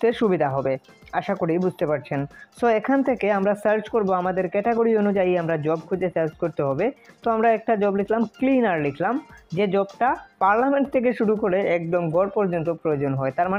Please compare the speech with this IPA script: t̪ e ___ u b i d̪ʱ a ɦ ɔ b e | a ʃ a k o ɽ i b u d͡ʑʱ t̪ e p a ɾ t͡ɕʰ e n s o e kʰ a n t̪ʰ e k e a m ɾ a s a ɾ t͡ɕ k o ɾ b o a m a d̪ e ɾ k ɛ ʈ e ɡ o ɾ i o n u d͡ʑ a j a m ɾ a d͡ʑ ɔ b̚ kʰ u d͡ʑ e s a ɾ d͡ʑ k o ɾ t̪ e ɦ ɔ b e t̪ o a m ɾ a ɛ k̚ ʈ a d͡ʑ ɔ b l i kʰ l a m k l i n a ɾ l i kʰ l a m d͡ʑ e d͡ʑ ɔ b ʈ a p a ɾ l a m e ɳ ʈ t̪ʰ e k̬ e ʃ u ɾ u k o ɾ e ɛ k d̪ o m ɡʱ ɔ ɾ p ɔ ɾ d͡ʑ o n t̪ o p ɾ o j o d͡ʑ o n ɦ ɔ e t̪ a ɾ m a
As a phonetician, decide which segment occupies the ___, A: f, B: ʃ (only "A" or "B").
B